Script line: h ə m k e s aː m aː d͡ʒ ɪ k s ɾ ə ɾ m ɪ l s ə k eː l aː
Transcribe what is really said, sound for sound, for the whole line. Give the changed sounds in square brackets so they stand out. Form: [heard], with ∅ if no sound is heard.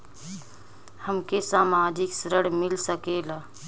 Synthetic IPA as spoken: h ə m k e s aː m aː d͡ʒ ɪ k s ɾ ə [ɽ] m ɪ l s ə k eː l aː